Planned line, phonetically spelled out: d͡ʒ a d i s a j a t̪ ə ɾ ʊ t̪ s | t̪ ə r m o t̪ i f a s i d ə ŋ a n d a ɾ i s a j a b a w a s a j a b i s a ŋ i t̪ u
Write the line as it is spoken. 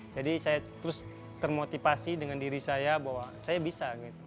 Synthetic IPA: d͡ʒ a d i s a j a t̪ ə ɾ ʊ s | t̪ ə r m o t̪ i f a s i d ə ŋ a n d i ɾ i s a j a b a w a s a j a b i s a ɡ i t̪ u